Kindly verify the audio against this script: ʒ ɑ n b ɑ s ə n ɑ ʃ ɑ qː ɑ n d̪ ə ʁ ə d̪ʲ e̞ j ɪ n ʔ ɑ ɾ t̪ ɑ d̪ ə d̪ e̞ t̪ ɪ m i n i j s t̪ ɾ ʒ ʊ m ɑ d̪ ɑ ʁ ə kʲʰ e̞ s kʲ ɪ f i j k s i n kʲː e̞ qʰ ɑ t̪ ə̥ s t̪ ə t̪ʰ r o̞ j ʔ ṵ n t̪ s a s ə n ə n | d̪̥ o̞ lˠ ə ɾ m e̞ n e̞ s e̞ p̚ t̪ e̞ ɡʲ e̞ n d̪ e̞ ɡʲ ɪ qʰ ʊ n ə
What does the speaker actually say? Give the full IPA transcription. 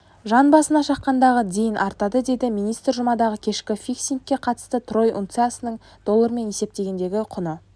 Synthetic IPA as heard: ʒ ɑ n b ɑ s ə n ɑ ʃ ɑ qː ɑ n d̪ ɑ ʁ ə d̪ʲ e̞ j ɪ n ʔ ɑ ɾ t̪ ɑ d̪ ə d̪ e̞ d̪ ɪ m i n i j s t̪ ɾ ʒ ʊ m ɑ d̪ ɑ ʁ ə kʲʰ e̞ ʃ kʲ ɪ f i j k s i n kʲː e̞ qʰ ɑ t̪ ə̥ s t̪ ə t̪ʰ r o̞ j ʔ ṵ n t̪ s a s ə n ə ɴ | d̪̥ o̞ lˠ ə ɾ m e̞ n e̞ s e̞ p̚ t̪ e̞ ɡʲ e̞ n d̪ e̞ ɡʲ ɪ qʰ ʊ n ə